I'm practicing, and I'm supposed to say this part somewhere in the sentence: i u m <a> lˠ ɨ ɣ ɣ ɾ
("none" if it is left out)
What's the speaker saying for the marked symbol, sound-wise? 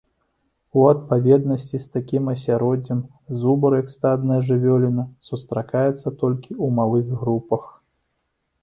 a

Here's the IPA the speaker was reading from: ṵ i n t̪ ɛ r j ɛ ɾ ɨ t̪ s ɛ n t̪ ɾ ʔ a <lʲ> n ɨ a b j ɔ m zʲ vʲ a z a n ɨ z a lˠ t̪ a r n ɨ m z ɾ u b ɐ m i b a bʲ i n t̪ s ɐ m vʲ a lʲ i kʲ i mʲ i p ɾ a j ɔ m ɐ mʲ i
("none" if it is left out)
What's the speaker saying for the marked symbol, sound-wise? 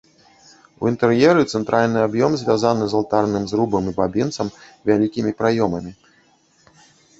lʲ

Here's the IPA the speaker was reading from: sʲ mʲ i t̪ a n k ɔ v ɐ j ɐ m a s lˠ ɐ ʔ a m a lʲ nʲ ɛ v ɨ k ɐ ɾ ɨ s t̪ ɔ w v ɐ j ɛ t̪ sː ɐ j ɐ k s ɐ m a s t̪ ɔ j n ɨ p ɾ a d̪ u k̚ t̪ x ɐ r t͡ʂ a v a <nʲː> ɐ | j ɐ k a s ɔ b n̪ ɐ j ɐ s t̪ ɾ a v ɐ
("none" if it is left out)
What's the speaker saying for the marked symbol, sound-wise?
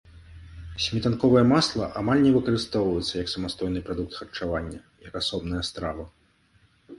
nʲː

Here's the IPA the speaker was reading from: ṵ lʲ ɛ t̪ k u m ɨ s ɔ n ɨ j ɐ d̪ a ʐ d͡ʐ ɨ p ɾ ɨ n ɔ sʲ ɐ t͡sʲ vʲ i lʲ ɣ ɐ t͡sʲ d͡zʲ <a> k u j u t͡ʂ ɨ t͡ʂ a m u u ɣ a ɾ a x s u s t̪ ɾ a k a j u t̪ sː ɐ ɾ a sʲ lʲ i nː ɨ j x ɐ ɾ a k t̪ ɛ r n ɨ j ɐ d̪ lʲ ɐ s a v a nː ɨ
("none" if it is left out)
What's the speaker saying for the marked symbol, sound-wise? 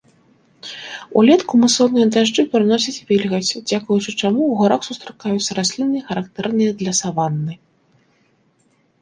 a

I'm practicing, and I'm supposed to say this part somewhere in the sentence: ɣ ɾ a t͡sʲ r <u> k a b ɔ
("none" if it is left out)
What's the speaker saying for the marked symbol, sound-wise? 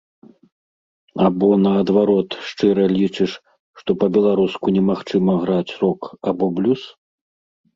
ɔ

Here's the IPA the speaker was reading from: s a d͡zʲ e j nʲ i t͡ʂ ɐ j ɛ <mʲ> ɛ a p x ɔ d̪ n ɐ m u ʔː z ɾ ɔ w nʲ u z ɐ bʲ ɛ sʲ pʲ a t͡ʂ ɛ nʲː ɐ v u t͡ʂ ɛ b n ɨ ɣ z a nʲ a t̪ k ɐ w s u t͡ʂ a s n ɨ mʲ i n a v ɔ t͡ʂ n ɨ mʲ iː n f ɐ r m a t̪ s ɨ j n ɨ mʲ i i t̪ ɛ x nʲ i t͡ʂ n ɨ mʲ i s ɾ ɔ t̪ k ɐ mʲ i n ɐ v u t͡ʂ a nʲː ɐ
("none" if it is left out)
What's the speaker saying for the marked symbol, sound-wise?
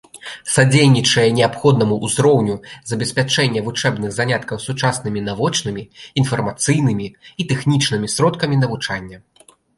nʲ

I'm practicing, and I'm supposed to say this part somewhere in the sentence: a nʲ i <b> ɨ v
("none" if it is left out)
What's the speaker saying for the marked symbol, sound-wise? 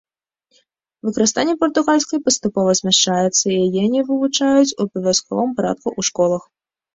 v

